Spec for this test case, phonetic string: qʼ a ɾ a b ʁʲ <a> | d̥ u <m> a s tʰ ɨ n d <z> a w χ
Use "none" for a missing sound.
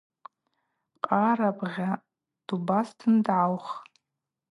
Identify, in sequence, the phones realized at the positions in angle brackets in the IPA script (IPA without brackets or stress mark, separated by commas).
a, b, ʕ